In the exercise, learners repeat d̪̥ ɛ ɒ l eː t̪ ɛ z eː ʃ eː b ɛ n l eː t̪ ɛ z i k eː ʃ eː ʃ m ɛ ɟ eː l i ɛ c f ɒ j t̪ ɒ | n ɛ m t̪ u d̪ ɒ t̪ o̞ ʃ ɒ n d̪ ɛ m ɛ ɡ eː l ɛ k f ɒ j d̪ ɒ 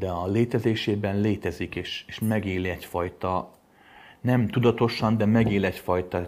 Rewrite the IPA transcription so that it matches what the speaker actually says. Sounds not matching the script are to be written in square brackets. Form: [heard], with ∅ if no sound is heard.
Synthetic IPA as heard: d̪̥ ɛ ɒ l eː t̪ ɛ z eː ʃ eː b ɛ n l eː t̪ ɛ z i k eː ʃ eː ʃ m ɛ [ɡ] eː l i ɛ c f ɒ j t̪ ɒ | n ɛ m t̪ u d̪ ɒ t̪ o̞ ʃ ɒ n d̪ ɛ m ɛ ɡ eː l ɛ [c] f ɒ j [t̪] ɒ